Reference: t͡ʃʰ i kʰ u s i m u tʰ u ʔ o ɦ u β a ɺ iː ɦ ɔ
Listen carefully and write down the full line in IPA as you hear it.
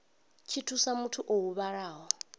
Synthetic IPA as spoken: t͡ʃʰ i tʰ u s a m u tʰ u ʔ o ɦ u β a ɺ aː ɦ ɔ

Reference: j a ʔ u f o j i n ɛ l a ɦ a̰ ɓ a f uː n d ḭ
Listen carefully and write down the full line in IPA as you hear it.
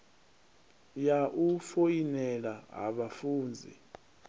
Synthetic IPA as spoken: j a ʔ u f o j i n ɛ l a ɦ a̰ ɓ a f uː n d͡zʱ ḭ

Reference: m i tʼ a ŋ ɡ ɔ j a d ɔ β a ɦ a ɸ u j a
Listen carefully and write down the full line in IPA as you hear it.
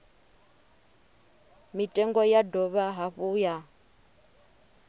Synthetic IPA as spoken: m i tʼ ɛ ŋ ɡ ɔ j a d ɔ β a ɦ a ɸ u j a

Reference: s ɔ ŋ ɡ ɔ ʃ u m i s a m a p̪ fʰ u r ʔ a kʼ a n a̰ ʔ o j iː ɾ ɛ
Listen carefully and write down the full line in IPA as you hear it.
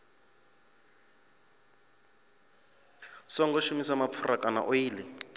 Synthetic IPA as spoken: s ɔ ŋ ɡ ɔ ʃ u m i s a m a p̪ fʰ u r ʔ a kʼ a n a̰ ʔ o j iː l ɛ

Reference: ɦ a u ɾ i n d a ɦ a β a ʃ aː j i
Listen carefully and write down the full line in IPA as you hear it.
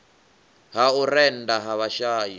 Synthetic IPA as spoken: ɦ a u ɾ ɛ n d a ɦ a β a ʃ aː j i

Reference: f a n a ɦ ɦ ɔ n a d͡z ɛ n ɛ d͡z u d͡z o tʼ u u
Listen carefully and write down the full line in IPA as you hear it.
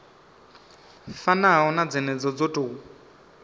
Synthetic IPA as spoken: f a n a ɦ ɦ ɔ n a d͡z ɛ n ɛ d͡z ɔ d͡z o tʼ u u

